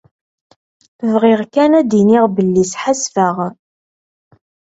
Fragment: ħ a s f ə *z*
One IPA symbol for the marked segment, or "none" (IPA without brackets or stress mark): ʁ